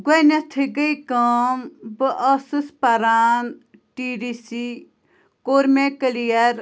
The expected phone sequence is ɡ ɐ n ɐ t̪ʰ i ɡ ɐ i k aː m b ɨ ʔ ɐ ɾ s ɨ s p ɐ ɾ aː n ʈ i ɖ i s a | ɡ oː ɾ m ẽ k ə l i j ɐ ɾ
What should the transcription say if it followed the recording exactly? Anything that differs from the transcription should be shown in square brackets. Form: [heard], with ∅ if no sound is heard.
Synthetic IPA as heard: ɡ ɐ n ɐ t̪ʰ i ɡ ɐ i k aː m b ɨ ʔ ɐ [∅] s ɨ s p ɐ ɾ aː n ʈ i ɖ i s [i] | [k] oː ɾ m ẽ k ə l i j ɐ ɾ